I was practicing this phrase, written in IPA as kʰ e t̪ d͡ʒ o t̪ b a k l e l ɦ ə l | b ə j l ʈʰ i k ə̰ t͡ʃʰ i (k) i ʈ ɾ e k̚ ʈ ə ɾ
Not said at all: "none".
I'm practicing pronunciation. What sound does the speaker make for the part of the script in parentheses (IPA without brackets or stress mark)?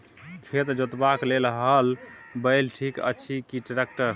k